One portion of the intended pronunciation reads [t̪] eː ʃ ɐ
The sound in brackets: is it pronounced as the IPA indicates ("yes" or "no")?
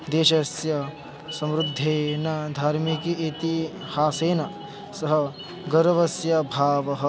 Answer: no